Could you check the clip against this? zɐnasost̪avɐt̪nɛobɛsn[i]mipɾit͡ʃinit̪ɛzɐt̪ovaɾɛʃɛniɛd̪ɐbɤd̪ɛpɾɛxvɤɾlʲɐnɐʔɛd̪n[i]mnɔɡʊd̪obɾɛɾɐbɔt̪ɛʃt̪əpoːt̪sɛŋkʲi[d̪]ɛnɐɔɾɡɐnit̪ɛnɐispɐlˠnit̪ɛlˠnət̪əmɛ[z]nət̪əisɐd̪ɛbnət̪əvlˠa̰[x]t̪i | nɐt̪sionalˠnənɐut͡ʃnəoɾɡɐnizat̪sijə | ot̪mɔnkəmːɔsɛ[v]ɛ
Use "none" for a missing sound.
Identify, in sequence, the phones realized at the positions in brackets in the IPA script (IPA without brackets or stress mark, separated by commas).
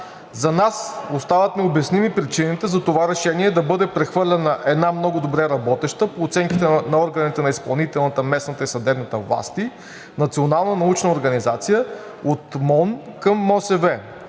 i, a, t̪, s, s, v